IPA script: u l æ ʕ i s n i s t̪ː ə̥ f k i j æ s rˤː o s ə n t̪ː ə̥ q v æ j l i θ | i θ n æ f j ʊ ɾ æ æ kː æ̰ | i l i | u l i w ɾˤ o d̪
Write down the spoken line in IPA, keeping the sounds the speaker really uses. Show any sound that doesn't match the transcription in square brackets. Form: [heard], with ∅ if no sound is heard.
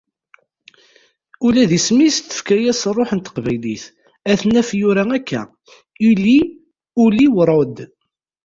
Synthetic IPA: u l æ [ð] i s [m] i s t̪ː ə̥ f k [æ] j æ s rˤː o [ħ] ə n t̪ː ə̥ q v æ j l i θ | [æ] θ n æ f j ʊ ɾ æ æ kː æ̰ | i l i | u l i w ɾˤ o d̪